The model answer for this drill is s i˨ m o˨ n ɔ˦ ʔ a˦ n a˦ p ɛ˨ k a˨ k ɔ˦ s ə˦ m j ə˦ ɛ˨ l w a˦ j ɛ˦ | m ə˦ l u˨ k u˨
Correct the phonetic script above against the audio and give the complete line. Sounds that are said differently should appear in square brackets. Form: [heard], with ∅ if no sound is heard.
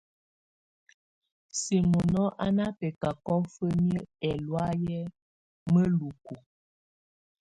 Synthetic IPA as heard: s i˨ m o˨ n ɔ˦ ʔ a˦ n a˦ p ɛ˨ k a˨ k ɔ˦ [f] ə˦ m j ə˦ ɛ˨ l w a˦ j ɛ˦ | m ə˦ l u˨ k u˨